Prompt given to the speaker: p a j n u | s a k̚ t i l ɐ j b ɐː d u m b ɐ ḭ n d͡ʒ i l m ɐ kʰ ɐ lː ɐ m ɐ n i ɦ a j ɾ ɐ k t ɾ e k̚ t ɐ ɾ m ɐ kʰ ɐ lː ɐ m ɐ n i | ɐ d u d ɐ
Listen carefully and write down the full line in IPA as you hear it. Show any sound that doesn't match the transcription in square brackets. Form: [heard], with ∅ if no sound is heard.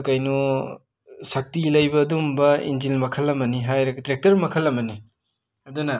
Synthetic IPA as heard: [k] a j n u | s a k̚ t i l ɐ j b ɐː d u m b ɐ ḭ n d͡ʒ i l m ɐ kʰ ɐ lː ɐ m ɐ n i ɦ a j ɾ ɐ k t ɾ e k̚ t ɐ ɾ m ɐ kʰ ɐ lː ɐ m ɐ n i | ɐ d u [n] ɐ